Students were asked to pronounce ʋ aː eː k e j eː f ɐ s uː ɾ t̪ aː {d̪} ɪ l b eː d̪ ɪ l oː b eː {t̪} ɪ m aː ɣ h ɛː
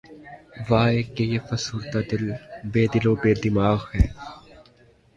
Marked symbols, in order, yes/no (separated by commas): yes, no